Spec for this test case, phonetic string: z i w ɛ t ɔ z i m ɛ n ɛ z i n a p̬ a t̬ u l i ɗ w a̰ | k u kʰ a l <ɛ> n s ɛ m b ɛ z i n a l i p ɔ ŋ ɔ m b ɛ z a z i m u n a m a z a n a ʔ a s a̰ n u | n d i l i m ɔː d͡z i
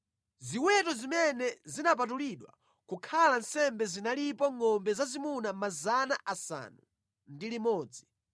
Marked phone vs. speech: incorrect: a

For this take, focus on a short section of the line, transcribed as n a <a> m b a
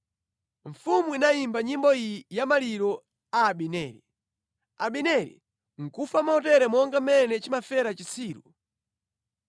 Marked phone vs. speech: incorrect: i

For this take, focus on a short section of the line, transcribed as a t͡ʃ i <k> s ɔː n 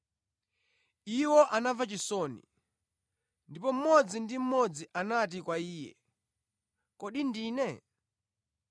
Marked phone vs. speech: incorrect: none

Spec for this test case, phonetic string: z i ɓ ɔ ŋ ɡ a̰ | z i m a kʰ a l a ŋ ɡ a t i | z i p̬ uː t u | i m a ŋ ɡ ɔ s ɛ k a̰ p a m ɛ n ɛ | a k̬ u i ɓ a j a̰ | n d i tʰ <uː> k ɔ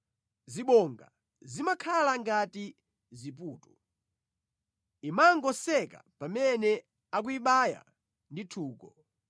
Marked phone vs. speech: correct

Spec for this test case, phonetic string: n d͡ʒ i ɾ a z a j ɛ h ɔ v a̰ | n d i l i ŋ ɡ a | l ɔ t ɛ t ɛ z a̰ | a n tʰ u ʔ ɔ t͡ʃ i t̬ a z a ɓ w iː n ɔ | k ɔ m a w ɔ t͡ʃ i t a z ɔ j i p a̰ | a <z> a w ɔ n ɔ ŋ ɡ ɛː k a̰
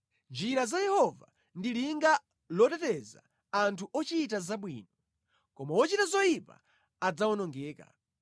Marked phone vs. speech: incorrect: d͡z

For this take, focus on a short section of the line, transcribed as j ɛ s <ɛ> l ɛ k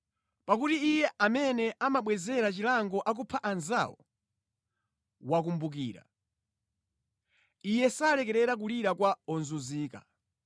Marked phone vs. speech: incorrect: a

